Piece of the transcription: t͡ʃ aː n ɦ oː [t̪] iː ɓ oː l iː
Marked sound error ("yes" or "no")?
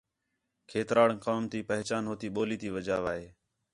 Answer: no